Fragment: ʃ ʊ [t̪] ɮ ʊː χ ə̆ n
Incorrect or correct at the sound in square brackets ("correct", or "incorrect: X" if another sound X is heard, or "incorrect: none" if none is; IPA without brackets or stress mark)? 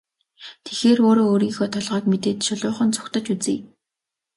incorrect: none